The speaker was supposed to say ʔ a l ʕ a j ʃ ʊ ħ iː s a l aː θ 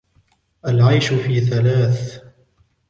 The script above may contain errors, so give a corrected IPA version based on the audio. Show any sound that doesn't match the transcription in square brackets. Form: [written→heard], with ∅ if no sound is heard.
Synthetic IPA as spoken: ʔ a l ʕ a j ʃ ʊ [ħ→f] iː [s→θ] a l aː θ

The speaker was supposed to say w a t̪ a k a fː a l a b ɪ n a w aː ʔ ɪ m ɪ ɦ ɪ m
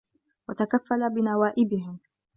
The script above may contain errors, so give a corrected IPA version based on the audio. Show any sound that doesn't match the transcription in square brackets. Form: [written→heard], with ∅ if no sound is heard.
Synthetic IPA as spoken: w a t̪ a k a fː a l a b ɪ n a w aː ʔ ɪ [m→b] ɪ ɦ ɪ m

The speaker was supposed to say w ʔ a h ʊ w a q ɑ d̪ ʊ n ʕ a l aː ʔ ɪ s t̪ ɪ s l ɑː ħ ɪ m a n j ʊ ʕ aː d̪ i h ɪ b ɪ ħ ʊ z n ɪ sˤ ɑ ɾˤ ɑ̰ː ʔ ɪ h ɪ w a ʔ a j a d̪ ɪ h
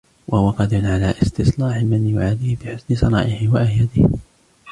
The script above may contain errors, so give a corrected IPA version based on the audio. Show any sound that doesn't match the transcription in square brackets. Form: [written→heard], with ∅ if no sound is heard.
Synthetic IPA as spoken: w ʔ a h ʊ w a q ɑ d̪ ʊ n ʕ a l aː ʔ ɪ s t̪ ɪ s l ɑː ħ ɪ m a n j ʊ ʕ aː d̪ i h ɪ b ɪ ħ ʊ [z→s] n ɪ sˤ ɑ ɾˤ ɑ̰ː ʔ ɪ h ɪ w a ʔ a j a d̪ ɪ h

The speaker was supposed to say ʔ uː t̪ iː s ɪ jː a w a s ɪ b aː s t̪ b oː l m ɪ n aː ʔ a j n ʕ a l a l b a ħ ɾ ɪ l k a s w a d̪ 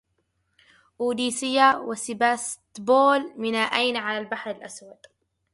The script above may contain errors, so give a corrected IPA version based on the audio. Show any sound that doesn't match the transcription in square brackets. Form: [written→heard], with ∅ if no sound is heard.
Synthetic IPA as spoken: ʔ uː [t̪→d̪] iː s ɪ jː a w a s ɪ b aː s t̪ b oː l m ɪ n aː ʔ a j n ʕ a l a l b a ħ ɾ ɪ l [k→ʔ] a s w a d̪

